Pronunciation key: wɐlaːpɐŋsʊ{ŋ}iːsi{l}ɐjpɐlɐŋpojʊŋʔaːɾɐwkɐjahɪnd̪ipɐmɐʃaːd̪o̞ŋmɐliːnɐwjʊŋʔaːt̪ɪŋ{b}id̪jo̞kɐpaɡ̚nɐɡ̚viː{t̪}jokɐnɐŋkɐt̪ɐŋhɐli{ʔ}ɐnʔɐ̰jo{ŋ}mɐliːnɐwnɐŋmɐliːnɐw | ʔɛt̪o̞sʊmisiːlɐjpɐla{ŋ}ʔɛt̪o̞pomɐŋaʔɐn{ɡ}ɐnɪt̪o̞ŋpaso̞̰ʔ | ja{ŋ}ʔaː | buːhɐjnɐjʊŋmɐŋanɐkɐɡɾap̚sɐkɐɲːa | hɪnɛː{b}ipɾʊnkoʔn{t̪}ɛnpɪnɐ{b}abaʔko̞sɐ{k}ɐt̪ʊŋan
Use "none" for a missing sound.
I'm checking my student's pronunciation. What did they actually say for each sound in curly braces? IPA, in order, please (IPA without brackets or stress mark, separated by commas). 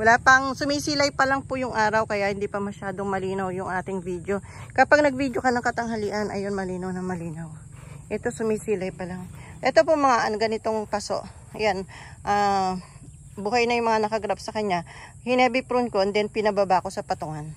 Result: m, l, v, d̪, ʔ, n, ŋ, ɡ, n, b, d̪, b, p